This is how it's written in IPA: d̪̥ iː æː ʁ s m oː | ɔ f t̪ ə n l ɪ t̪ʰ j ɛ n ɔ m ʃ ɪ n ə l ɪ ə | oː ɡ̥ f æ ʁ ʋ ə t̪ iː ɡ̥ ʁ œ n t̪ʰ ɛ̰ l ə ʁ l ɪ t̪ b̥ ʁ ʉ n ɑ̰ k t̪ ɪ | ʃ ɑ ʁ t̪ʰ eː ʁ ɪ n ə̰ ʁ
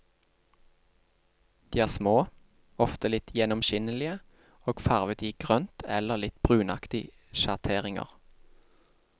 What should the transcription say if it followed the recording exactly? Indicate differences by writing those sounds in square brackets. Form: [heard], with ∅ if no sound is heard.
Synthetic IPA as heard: d̪̥ iː æː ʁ s m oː | ɔ f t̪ ə [∅] l ɪ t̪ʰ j ɛ n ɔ m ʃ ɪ n ə l ɪ ə | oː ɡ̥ f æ ʁ ʋ ə t̪ iː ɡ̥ ʁ œ n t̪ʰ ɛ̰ l ə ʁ l ɪ t̪ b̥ ʁ [ʉː] n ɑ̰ k t̪ ɪ | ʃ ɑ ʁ t̪ʰ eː ʁ ɪ [ŋ] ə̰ ʁ